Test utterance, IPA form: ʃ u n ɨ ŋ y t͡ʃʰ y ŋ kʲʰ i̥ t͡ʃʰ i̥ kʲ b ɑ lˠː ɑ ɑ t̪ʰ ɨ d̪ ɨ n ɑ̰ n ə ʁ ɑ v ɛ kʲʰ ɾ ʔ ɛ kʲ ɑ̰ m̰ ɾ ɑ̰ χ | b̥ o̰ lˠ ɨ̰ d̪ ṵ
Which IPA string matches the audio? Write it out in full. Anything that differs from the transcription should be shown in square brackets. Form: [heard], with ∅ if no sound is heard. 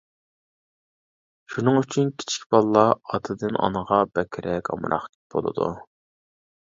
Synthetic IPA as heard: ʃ u n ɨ ŋ y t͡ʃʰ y [n] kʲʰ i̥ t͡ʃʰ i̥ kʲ b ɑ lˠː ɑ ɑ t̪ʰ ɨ d̪ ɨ n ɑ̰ n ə ʁ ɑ [b] ɛ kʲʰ ɾ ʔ ɛ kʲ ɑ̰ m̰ ɾ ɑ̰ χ | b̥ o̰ lˠ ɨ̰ d̪ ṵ